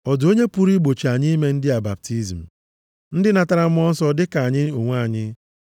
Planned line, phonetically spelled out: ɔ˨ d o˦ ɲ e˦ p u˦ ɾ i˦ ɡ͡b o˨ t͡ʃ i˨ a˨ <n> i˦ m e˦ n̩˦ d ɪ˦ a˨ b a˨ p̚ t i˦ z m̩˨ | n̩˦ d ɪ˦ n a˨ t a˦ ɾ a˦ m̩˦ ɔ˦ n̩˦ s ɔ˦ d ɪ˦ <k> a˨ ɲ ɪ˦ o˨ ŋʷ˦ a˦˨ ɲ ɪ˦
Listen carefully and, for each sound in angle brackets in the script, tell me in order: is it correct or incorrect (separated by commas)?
incorrect, correct